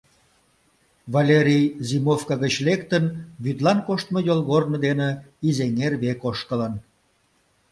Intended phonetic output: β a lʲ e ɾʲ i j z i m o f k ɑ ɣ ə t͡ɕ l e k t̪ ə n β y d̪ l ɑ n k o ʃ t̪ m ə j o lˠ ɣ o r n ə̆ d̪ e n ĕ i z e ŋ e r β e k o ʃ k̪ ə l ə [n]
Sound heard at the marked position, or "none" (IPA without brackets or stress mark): n